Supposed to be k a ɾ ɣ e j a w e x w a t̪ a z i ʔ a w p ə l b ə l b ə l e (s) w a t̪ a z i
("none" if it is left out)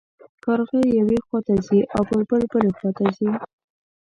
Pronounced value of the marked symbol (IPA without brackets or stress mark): x